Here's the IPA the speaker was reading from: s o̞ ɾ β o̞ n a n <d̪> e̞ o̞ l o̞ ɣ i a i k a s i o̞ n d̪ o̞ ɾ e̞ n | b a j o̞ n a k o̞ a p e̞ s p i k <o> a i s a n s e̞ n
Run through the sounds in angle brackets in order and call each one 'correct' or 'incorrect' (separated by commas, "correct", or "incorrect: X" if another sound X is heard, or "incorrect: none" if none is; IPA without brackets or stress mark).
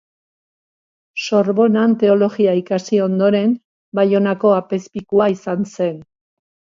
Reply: incorrect: t̪, incorrect: u